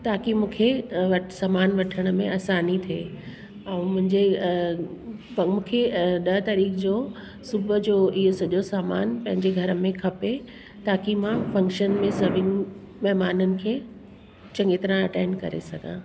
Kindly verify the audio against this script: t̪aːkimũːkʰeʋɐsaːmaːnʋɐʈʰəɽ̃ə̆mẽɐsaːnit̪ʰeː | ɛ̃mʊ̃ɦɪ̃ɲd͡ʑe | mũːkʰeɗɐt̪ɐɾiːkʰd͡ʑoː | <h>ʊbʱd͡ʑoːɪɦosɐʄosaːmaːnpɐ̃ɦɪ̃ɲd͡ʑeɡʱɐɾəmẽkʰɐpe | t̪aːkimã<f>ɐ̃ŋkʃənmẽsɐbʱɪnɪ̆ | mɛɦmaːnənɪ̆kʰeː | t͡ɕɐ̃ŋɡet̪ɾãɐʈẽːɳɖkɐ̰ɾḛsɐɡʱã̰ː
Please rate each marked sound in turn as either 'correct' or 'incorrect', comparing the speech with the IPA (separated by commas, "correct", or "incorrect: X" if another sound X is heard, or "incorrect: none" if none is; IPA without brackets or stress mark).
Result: incorrect: s, correct